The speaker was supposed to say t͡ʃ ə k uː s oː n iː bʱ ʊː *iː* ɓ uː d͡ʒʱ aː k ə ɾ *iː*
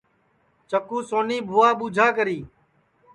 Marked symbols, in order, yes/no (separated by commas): no, yes